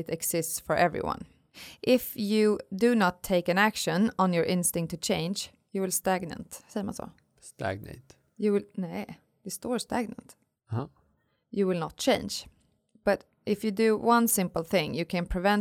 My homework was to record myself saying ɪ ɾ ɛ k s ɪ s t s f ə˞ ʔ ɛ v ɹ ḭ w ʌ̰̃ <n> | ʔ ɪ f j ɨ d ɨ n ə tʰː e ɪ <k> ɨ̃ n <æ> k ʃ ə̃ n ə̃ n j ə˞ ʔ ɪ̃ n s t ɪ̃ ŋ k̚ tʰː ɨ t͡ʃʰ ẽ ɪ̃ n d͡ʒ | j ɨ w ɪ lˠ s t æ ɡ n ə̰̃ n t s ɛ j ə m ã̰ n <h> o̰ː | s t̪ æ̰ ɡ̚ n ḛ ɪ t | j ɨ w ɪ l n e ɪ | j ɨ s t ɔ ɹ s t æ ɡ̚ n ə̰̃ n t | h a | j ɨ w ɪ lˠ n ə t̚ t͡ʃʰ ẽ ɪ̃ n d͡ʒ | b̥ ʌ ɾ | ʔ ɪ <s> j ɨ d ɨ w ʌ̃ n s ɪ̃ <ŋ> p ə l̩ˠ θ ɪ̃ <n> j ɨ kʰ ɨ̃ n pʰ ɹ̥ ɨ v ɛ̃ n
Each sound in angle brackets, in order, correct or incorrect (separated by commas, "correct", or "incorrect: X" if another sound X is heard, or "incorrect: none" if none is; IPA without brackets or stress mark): correct, correct, correct, incorrect: s, incorrect: f, incorrect: m, incorrect: ŋ